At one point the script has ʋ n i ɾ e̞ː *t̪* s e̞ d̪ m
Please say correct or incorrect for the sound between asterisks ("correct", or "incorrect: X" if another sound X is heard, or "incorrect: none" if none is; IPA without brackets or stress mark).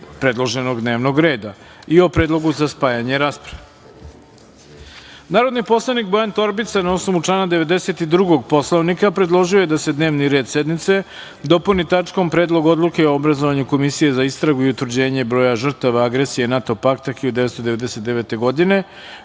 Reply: incorrect: d̪